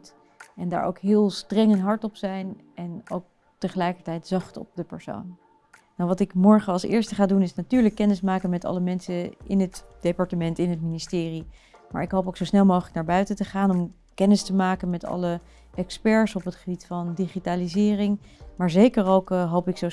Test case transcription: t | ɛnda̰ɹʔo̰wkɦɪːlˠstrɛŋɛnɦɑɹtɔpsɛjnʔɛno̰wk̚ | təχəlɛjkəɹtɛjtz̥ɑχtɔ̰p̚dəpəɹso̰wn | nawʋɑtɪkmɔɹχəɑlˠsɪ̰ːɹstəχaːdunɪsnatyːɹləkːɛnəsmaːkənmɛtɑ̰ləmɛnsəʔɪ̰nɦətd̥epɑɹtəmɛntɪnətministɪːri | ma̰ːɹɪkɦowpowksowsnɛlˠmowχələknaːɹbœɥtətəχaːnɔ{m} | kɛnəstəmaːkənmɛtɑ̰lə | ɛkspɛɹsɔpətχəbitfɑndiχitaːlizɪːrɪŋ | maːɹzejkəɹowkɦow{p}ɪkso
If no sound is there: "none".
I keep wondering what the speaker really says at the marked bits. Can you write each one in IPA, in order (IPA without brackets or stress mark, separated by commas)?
m, p